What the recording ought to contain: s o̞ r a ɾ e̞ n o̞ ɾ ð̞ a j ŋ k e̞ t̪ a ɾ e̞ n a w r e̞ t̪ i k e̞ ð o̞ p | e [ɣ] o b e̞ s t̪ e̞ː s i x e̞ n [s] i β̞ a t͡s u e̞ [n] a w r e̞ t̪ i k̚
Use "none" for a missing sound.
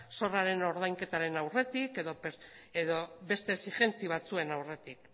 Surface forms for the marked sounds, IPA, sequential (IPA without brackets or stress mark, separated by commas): ð, t͡s, n